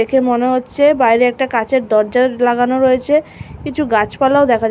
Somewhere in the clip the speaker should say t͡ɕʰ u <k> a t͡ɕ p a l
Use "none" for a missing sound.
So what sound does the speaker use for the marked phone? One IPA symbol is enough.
ɡ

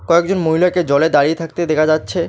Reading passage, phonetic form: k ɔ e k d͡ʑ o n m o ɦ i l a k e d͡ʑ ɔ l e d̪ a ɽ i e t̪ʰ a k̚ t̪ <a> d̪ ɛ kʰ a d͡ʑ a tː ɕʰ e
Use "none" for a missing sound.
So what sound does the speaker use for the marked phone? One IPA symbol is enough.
e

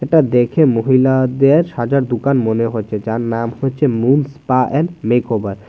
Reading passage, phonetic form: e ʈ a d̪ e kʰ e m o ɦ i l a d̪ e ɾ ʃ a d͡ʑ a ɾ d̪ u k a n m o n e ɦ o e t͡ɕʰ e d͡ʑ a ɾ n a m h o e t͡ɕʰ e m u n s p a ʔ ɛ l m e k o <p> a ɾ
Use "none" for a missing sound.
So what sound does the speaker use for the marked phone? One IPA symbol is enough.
b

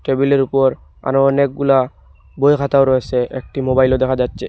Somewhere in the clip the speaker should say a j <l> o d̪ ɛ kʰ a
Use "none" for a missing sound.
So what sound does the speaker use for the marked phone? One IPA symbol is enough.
l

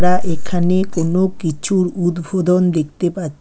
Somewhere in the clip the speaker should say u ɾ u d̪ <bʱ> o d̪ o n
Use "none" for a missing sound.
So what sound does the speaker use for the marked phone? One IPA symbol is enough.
bʱ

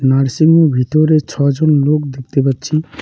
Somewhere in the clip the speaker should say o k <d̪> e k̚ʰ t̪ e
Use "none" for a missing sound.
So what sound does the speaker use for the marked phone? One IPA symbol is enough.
d̪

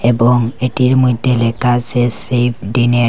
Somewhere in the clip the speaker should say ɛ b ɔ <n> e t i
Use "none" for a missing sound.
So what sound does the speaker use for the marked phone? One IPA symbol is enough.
ŋ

